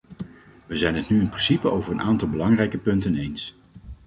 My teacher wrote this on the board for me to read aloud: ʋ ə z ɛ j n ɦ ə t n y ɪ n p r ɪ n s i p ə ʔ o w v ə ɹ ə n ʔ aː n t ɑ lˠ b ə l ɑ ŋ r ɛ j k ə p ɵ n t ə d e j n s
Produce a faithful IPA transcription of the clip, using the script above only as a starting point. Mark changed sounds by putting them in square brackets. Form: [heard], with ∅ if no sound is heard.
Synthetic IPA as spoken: ʋ ə z ɛ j n ɦ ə t n y ɪ n p r ɪ n s i p ə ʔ o w v ə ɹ ə n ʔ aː n t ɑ lˠ b ə l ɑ ŋ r ɛ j k ə p ɵ n t ə [n] e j n s